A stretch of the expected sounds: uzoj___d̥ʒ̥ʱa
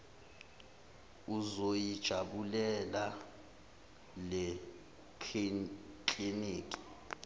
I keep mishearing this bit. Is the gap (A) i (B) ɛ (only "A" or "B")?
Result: A